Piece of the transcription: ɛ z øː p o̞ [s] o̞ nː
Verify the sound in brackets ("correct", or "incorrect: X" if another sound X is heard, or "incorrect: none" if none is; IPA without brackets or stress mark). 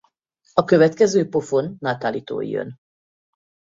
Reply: incorrect: f